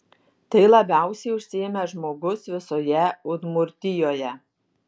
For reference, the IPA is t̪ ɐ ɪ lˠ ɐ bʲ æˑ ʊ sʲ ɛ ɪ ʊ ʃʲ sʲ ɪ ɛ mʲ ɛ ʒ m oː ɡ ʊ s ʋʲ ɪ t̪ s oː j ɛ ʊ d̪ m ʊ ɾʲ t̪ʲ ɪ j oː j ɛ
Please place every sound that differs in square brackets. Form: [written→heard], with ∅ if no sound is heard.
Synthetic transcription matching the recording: t̪ ɐ ɪ lˠ ɐ bʲ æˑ ʊ sʲ ɛ ɪ ʊ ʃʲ sʲ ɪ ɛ mʲ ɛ ʒ m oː ɡ ʊ s ʋʲ ɪ [t̪→∅] s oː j ɛ ʊ d̪ m ʊ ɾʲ t̪ʲ ɪ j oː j ɛ